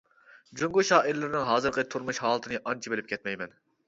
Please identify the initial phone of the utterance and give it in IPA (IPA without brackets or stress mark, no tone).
d͡ʒ